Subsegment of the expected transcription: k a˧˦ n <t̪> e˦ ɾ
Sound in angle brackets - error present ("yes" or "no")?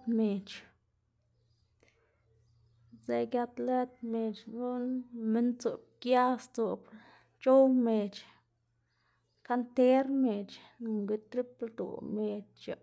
no